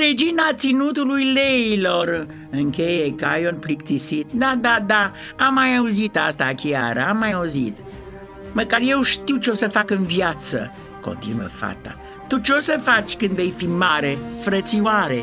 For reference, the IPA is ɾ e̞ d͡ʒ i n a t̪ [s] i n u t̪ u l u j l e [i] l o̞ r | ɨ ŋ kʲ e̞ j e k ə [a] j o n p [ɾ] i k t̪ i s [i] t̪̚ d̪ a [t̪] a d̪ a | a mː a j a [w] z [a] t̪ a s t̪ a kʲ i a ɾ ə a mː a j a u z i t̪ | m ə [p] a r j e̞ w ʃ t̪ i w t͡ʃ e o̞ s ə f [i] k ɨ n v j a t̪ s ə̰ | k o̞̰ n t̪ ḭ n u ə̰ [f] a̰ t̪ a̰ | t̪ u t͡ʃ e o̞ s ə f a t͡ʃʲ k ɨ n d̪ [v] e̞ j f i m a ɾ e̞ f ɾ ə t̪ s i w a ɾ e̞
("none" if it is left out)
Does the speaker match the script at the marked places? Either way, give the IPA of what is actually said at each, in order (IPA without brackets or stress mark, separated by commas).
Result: s, i, a, l, i, d̪, u, i, k, a, f, v